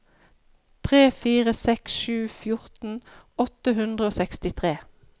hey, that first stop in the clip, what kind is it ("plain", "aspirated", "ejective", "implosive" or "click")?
aspirated